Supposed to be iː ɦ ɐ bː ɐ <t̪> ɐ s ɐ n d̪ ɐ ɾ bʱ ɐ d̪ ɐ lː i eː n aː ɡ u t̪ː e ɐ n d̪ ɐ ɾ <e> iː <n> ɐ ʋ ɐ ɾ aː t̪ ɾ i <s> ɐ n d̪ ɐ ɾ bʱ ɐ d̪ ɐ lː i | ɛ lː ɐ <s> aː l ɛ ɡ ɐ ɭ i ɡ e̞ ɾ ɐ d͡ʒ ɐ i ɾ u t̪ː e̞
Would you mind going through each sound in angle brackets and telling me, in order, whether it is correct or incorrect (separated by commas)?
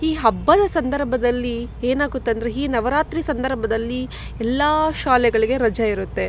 incorrect, correct, correct, correct, incorrect